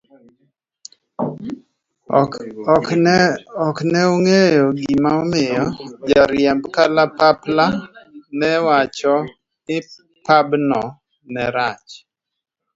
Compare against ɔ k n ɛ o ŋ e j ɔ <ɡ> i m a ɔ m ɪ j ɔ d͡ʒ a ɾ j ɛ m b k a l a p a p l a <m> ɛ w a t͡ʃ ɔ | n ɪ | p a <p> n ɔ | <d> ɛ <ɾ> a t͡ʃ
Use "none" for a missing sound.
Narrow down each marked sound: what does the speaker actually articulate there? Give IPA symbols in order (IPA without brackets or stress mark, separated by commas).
ɡ, n, b, n, ɾ